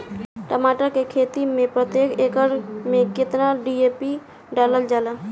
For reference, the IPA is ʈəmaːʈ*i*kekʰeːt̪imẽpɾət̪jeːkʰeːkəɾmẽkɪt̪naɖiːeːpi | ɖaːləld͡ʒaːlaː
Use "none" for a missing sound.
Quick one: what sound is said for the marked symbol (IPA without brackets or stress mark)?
a